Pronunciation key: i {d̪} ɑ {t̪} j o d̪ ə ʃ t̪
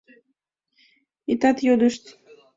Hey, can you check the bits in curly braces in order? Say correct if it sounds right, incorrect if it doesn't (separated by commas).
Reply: incorrect, correct